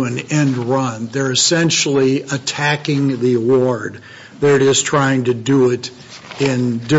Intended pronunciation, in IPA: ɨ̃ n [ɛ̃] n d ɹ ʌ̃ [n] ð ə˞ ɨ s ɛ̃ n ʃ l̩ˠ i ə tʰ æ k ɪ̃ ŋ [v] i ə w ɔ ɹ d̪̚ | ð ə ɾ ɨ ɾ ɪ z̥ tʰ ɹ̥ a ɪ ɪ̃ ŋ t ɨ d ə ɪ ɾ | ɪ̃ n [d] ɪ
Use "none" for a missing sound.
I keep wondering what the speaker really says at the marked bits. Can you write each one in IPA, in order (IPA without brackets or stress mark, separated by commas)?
ɛ̃, n, ð, d